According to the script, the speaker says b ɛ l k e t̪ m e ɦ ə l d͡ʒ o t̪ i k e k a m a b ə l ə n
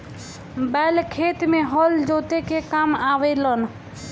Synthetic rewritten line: b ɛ l kʰ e t̪ m e ɦ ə l d͡ʒ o t̪ e k e k a m a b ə l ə n